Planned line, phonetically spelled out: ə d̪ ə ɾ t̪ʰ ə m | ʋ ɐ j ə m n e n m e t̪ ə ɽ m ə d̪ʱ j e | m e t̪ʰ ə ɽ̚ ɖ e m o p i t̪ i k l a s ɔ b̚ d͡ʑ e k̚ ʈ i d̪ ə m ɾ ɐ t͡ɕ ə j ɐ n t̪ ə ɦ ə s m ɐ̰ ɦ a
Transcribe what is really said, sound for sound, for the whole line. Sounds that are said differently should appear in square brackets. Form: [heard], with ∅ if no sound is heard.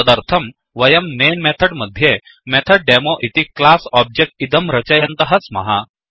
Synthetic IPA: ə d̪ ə ɾ t̪ʰ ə m | ʋ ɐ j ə m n e n m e [t̪ʰ] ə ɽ m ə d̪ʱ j e | m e t̪ʰ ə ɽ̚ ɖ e m o [ʔ] i t̪ i k l a s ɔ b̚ d͡ʑ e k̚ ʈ i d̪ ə m ɾ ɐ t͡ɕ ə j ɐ n t̪ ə ɦ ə s m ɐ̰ ɦ a